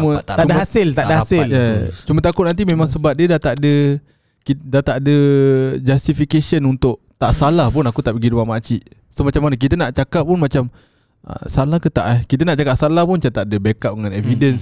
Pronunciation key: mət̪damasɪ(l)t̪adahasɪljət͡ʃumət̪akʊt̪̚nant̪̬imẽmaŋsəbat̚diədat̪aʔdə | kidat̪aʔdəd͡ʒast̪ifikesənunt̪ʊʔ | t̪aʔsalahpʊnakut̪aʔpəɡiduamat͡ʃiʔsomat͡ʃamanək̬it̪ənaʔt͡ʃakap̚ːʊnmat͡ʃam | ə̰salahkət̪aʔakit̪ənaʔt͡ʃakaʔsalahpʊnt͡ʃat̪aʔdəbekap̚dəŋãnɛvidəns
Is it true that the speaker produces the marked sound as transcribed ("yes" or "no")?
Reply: yes